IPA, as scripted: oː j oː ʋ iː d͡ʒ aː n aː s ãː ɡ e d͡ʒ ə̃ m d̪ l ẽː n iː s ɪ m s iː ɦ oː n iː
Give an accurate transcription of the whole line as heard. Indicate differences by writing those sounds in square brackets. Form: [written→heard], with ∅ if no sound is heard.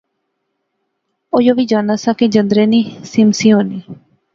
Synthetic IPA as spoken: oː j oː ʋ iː d͡ʒ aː n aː s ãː [ɡ→k] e d͡ʒ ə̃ [m→n] d̪ [l→ɾ] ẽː n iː s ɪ m s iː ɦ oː n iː